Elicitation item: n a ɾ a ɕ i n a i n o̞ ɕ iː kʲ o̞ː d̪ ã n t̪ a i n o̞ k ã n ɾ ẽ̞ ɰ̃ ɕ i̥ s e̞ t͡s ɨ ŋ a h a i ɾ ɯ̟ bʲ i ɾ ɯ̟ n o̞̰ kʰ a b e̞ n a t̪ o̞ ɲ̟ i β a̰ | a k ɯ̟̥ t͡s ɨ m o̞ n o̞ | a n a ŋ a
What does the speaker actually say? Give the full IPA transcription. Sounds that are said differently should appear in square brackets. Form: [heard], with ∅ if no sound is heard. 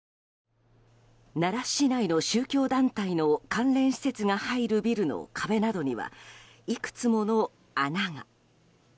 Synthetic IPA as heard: n a ɾ a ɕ i n a i n o̞ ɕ [ɨː] kʲ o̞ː d̪ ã n t̪ a i n o̞ k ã n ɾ ẽ̞ ɰ̃ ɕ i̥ s e̞ t͡s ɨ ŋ a h a i ɾ ɯ̟ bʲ i ɾ ɯ̟ n o̞̰ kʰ a b e̞ n a [d̪] o̞ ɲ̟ i β a̰ | [i] k ɯ̟̥ t͡s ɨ m o̞ n o̞ | a n a ŋ a